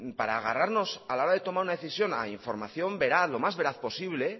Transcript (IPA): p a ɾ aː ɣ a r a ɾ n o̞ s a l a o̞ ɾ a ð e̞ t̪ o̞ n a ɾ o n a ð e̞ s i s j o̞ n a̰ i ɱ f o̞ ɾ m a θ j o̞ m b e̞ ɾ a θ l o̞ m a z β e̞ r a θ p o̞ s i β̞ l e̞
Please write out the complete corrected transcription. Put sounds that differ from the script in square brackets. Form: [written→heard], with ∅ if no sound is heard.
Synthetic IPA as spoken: p a ɾ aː ɣ a r a ɾ n o̞ s a l a o̞ ɾ a ð e̞ t̪ o̞ [n→m] a ɾ [o→u] n a ð e̞ [s→θ] i s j o̞ n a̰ i ɱ f o̞ ɾ m a θ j o̞ m b e̞ ɾ a θ l o̞ m a z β e̞ [r→ɾ] a θ p o̞ s i β̞ l e̞